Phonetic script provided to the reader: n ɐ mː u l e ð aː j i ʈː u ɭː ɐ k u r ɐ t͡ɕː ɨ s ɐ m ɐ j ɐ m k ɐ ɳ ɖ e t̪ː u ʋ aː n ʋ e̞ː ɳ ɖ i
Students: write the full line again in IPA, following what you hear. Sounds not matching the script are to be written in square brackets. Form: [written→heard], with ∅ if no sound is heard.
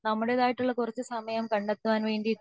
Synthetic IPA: n ɐ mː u [l→ɽ] e ð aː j i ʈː u ɭː ɐ k u r ɐ t͡ɕː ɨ s ɐ m ɐ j ɐ m k ɐ ɳ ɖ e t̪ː u ʋ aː n ʋ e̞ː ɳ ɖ i